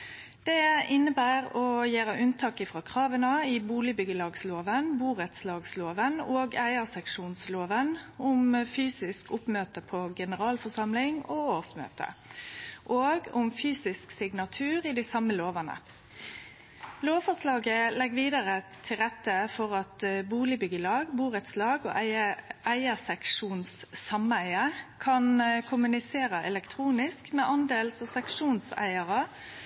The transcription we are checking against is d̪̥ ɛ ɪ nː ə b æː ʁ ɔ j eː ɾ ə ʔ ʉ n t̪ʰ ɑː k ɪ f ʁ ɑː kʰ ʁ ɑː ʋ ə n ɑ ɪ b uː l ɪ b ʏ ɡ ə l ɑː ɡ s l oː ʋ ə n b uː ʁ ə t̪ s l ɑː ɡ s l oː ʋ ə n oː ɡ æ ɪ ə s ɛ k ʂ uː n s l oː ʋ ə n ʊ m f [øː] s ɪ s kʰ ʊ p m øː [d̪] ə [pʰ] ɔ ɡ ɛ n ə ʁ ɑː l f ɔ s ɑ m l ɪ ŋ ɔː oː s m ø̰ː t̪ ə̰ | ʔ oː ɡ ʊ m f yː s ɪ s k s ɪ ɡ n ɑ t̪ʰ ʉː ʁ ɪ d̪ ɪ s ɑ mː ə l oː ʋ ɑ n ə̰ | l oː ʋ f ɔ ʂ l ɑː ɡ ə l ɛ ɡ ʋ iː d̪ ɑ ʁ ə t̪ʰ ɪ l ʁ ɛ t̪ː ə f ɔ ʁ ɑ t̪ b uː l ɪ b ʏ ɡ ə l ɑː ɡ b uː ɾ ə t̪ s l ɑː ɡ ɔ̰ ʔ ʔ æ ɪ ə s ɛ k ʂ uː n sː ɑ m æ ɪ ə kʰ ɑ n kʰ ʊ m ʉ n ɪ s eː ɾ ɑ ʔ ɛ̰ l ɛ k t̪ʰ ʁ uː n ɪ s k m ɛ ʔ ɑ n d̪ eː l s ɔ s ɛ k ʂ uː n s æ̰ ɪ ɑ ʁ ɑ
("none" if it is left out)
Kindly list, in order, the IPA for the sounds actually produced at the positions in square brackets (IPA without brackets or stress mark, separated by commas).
yː, t̪, pʰ